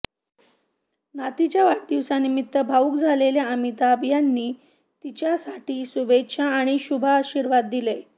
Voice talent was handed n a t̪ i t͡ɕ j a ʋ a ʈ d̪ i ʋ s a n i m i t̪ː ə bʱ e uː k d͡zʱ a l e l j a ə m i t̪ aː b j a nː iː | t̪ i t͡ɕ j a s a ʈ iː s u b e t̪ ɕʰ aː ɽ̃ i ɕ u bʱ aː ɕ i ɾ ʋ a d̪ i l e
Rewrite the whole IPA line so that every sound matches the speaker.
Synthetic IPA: n a t̪ i t͡ɕ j a ʋ a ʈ d̪ i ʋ s a n i m i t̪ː ə bʱ a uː k d͡zʱ a l e l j a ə m i t̪ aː b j a nː iː | t̪ i t͡ɕ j a s a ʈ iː s u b e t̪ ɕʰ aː ɽ̃ i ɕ u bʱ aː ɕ i ɾ ʋ a d̪ː i l e